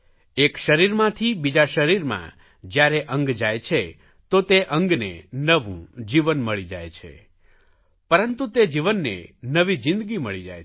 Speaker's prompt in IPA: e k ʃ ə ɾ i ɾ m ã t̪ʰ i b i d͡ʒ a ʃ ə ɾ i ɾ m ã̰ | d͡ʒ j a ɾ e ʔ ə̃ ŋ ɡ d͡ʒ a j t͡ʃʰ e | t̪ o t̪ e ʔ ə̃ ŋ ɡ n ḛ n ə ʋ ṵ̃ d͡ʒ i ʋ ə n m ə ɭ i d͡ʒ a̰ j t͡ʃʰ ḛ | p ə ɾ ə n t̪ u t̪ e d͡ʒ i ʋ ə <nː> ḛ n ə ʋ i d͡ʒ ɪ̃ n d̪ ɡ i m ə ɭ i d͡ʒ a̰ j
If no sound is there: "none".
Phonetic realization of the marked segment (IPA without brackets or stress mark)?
nː